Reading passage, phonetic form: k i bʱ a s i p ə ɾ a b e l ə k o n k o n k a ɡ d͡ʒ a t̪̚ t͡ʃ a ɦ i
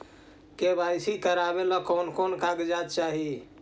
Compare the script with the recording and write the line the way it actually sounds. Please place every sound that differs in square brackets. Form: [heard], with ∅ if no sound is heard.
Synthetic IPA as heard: k [e] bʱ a s i [k] ə ɾ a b e l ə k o n k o n k a ɡ d͡ʒ a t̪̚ t͡ʃ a ɦ i